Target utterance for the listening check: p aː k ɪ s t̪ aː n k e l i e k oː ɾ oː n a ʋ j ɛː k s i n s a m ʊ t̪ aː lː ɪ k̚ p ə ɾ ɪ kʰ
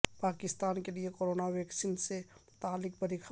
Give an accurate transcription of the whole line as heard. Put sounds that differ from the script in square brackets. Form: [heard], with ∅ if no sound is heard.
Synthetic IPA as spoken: p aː k ɪ s t̪ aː n k e l i e k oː ɾ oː n a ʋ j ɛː k s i n s [e] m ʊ t̪ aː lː ɪ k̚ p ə ɾ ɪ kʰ